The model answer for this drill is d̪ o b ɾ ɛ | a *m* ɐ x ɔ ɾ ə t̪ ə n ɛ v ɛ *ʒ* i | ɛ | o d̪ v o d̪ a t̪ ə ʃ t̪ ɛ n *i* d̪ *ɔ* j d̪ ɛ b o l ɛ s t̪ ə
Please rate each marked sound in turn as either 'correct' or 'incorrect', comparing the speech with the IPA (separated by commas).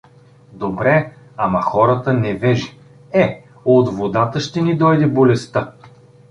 correct, correct, correct, correct